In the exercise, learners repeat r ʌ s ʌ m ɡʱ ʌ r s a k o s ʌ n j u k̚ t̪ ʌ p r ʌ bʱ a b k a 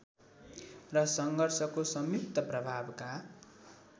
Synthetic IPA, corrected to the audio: r ʌ s ʌ ŋ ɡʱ ʌ r s ʌ k o s ʌ m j u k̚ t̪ ʌ p r ʌ bʱ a b k a